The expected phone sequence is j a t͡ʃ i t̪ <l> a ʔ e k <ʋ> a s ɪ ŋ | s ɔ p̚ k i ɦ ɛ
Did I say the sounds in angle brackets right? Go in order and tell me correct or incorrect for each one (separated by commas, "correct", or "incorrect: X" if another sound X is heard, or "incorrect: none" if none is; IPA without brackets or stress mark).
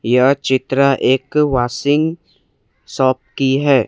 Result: incorrect: ɾ, incorrect: w